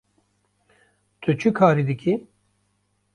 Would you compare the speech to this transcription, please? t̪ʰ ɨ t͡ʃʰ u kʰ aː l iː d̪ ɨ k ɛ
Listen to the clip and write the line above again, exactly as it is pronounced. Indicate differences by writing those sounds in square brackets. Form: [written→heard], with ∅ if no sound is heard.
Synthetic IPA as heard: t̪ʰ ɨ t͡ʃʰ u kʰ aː [l→ɾ] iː d̪ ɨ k [ɛ→i]